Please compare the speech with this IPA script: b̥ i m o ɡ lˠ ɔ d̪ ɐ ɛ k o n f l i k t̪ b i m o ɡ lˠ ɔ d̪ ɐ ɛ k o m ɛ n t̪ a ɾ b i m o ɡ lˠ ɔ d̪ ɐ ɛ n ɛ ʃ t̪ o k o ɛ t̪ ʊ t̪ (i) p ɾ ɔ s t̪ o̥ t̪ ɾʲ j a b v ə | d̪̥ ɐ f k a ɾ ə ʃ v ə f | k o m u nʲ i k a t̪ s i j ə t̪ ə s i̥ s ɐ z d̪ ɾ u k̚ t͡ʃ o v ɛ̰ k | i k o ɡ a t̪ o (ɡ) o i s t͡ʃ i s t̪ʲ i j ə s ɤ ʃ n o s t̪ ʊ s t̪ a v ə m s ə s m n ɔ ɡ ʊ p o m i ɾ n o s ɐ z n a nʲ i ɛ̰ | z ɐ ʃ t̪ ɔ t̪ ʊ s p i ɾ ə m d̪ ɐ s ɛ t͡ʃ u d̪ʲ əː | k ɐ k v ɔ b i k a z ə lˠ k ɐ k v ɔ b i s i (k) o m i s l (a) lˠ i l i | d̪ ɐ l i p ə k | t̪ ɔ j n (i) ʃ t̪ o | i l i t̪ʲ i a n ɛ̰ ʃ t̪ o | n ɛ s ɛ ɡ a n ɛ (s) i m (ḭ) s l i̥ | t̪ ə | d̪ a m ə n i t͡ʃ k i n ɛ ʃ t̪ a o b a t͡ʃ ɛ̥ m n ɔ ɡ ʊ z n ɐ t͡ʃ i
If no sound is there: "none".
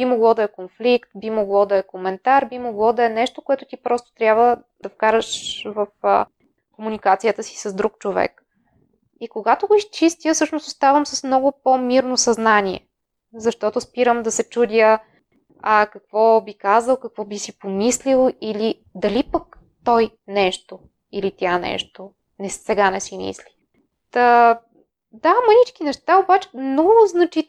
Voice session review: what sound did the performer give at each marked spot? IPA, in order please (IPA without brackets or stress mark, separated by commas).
i, ɡ, p, i, ɛ, s, ḭ